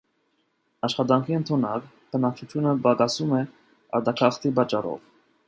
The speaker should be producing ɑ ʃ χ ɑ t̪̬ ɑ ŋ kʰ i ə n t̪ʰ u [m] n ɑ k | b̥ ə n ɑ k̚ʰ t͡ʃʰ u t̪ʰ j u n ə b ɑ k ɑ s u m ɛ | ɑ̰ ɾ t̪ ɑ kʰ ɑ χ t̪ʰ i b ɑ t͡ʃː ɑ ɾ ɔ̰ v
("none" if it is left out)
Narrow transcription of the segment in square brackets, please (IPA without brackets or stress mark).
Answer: none